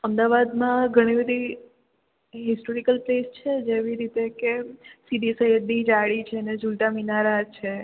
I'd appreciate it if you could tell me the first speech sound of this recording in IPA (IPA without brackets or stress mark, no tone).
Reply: ə